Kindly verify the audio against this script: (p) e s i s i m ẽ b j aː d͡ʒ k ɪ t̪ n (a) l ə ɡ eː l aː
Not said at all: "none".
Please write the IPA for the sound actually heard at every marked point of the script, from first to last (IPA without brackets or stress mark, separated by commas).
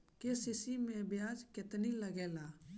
k, i